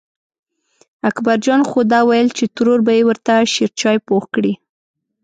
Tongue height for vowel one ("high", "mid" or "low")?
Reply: low